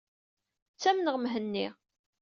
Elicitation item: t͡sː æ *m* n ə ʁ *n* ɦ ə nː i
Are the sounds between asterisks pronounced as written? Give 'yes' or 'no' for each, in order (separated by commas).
yes, no